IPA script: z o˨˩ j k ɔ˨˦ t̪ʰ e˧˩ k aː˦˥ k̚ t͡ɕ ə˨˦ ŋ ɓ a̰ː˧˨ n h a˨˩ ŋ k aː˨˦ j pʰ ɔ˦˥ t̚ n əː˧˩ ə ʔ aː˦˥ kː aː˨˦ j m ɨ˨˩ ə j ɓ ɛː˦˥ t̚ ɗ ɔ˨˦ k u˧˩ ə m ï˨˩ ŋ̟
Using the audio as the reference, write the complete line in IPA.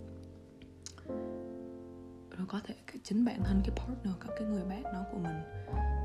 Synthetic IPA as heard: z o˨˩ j k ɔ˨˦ t̪ʰ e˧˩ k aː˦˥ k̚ t͡ɕ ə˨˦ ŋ ɓ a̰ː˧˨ n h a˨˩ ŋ k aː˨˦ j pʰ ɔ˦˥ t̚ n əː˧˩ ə k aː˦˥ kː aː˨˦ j ŋ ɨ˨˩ ə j ɓ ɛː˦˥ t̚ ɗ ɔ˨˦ k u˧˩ ə m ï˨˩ ŋ̟